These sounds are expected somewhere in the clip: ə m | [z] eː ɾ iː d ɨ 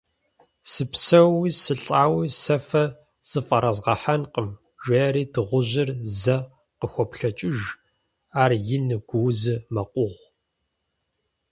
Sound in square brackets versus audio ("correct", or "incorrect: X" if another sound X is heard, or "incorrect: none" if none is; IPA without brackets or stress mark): incorrect: ʒ